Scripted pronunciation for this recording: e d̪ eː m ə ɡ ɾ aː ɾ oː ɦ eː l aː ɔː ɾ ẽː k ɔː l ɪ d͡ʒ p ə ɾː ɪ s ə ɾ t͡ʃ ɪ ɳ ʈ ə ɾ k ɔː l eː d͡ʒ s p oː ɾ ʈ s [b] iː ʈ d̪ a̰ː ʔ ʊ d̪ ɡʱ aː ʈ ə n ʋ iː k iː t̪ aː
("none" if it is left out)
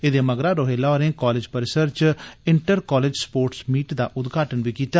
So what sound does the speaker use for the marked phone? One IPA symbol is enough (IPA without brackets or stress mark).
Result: m